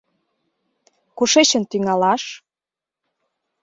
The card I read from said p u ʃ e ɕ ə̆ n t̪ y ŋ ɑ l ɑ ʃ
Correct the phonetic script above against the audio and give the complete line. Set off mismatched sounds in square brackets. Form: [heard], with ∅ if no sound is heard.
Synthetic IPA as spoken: [k] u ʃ e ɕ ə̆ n t̪ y ŋ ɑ l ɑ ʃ